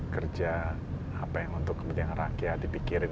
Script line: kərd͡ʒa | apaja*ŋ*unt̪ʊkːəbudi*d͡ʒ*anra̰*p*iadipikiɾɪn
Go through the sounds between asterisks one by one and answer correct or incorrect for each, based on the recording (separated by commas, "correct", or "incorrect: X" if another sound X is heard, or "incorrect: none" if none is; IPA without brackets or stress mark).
correct, incorrect: none, incorrect: k